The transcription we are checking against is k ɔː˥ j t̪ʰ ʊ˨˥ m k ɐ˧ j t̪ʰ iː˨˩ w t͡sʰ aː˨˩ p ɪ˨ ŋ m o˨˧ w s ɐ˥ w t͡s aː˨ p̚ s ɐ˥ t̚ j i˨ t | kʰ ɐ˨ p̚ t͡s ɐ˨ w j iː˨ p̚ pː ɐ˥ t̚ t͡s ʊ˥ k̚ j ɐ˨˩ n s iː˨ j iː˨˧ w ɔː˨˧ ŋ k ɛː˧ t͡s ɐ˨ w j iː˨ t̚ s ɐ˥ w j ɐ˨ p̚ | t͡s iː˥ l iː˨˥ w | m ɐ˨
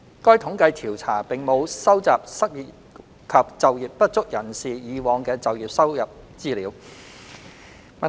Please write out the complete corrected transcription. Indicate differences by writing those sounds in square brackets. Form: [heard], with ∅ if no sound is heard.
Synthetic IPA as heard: k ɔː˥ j t̪ʰ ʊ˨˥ [ŋ] k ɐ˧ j t̪ʰ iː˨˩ w t͡sʰ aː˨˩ p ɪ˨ ŋ m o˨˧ w s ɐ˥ w t͡s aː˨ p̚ s ɐ˥ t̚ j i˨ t | kʰ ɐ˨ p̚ t͡s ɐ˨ w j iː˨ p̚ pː ɐ˥ t̚ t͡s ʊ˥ k̚ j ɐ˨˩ n s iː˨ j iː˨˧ w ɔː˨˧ ŋ k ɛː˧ t͡s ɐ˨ w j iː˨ [p̚] s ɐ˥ w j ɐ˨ p̚ | t͡s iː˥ l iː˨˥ w | m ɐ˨